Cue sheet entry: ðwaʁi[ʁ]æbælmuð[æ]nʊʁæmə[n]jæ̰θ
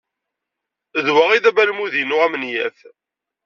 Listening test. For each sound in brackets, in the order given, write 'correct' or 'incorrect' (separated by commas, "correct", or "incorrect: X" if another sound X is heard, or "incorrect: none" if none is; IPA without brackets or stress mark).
incorrect: ð, incorrect: i, correct